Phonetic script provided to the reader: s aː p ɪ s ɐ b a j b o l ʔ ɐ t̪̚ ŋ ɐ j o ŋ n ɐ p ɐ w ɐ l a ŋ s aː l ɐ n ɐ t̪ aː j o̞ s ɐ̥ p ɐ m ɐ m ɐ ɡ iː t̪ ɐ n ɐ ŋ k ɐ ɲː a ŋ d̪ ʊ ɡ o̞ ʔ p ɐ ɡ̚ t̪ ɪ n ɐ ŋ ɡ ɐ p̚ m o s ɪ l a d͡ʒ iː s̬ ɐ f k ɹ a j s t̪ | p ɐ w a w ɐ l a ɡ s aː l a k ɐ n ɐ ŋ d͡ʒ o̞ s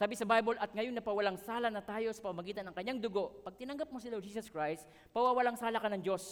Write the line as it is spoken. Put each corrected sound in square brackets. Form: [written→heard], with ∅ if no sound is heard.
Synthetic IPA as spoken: s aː [p→b] ɪ s ɐ b a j b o l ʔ ɐ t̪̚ ŋ ɐ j o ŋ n ɐ p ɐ w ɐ l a ŋ s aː l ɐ n ɐ t̪ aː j o̞ s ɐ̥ p ɐ m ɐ m ɐ ɡ iː t̪ ɐ n ɐ ŋ k ɐ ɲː a ŋ d̪ ʊ ɡ o̞ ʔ p ɐ ɡ̚ t̪ ɪ n ɐ ŋ ɡ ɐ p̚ m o s ɪ l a d͡ʒ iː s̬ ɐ [f→s] k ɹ a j s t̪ | p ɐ w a w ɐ l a [ɡ→ŋ] s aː l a k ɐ n ɐ ŋ d͡ʒ o̞ s